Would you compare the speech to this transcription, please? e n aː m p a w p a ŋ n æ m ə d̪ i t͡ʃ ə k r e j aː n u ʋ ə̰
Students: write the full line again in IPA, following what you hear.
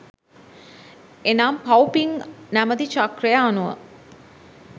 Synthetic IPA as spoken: e n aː m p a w p i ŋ n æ m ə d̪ i t͡ʃ a k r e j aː n u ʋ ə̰

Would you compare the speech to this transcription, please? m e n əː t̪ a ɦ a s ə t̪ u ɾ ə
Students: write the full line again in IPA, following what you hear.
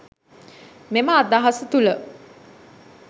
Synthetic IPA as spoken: m e m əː d̪ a ɦ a s ə t̪ u l ə

